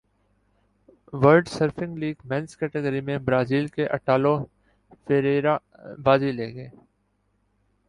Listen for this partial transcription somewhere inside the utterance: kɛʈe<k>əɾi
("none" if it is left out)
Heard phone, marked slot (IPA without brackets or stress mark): ɡ